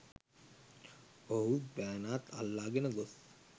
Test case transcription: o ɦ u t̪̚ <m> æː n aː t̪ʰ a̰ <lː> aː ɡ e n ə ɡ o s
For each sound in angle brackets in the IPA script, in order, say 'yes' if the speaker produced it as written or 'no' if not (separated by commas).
no, yes